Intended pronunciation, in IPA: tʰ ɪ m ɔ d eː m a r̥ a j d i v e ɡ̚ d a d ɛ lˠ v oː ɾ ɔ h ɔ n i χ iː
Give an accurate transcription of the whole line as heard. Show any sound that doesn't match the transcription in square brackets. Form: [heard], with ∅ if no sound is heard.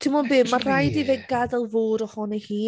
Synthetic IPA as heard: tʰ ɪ m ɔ [b] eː m a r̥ a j d i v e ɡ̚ [ɡ] a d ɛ lˠ v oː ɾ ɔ h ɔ n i [h] iː